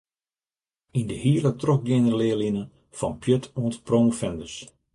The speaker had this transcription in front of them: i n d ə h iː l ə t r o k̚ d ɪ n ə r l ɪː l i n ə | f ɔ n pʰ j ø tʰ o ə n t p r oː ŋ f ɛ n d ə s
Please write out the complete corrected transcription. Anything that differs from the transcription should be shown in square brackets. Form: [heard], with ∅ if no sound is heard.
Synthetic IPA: i n d ə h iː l ə t r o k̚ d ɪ n ə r l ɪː l i n ə | f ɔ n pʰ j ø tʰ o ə n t p r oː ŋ f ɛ n d ə s

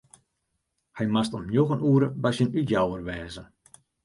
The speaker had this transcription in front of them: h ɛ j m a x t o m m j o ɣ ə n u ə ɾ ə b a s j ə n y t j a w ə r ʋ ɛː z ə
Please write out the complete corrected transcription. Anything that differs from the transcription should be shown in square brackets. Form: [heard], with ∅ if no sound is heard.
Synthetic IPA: h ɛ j m a [s] t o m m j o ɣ ə n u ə ɾ ə b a s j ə n y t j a w ə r ʋ ɛː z ə

